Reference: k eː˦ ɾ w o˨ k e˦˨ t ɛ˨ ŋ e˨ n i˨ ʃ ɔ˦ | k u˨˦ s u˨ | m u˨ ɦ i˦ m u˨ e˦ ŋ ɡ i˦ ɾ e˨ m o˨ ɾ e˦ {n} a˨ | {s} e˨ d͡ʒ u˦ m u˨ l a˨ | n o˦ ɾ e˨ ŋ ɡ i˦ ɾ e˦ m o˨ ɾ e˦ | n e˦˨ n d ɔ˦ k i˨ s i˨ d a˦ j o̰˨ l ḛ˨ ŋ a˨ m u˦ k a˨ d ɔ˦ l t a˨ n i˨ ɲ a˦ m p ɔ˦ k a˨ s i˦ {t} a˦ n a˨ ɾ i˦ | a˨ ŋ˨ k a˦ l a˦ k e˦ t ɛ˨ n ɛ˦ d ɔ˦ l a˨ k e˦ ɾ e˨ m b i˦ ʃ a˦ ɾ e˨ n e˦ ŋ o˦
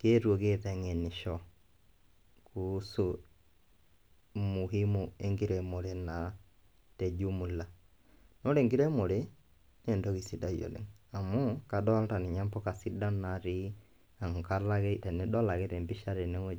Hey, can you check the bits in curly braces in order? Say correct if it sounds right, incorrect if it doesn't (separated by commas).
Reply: correct, incorrect, incorrect